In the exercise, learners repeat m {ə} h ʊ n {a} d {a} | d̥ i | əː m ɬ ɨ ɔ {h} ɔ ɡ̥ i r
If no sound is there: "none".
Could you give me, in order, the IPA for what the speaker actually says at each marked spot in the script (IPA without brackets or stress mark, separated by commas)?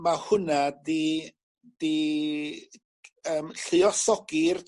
a, a, i, s